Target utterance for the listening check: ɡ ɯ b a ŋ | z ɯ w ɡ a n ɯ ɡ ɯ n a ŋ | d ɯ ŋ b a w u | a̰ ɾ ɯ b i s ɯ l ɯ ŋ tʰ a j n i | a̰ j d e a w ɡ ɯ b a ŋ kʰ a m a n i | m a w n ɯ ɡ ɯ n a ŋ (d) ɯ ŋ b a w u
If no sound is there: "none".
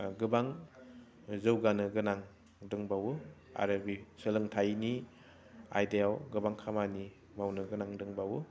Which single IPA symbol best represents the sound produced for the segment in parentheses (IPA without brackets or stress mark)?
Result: d